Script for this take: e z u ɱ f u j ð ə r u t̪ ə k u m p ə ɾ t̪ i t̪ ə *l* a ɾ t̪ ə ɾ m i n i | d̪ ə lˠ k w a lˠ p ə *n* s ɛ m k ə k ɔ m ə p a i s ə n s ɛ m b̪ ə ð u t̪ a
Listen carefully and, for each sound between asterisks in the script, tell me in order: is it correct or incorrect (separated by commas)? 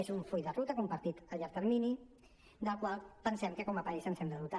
incorrect, correct